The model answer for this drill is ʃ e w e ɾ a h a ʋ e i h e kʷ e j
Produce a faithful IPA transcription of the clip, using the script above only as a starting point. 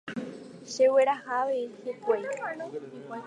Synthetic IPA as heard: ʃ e w e ɾ a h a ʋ e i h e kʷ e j